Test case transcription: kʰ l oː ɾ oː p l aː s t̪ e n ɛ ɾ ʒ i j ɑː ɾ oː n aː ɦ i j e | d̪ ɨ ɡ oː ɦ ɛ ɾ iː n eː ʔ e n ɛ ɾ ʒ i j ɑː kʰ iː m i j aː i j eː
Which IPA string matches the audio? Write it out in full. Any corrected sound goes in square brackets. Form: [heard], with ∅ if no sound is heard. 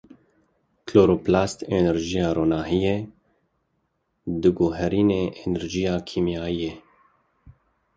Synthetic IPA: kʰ l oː ɾ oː p l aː s t̪ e n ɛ ɾ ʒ i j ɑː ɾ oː n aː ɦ i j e | d̪ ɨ ɡ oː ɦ ɛ ɾ iː n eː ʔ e n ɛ ɾ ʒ i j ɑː kʰ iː m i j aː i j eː